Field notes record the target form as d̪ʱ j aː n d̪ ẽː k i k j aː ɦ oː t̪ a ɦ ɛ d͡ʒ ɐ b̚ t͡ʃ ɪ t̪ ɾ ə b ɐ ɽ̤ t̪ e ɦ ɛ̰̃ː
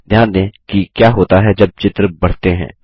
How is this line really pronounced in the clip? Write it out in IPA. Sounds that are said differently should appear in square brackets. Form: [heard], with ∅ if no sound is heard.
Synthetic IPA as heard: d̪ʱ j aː n d̪ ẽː k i k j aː ɦ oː t̪ a ɦ ɛ d͡ʒ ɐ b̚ t͡ʃ ɪ t̪ ɾ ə b ɐ ɽ̤ t̪ e ɦ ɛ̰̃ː